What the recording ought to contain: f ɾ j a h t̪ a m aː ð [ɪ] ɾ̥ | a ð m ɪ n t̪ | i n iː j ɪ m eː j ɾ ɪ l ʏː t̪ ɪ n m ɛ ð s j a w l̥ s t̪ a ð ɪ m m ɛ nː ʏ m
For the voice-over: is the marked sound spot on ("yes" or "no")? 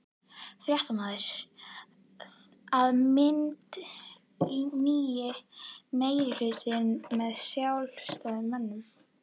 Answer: yes